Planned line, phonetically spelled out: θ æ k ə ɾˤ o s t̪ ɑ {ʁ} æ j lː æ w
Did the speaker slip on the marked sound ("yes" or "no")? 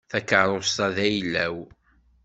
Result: yes